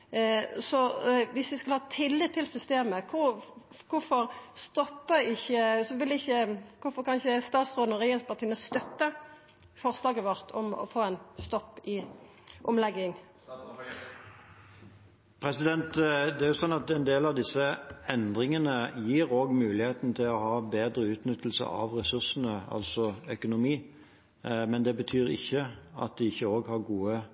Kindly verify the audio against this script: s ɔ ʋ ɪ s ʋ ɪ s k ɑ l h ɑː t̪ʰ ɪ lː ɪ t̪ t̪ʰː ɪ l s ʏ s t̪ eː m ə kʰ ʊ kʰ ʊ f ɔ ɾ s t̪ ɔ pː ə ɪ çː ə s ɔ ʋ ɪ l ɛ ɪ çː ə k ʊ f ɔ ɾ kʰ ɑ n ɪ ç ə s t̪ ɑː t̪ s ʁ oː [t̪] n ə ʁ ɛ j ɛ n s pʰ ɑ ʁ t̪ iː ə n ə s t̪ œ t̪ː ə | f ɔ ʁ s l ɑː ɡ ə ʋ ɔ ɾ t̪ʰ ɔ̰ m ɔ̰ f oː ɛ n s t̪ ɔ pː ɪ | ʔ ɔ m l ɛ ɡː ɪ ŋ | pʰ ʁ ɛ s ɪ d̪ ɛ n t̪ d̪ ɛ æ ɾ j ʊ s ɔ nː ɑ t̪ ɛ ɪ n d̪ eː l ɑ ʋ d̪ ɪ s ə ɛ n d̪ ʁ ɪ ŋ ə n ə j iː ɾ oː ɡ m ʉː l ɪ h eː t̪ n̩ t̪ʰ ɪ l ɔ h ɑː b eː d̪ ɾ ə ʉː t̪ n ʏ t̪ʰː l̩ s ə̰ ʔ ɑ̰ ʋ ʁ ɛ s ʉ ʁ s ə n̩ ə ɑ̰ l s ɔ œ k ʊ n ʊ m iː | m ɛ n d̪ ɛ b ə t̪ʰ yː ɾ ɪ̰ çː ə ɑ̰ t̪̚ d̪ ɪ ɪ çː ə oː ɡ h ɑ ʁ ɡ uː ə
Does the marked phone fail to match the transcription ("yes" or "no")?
yes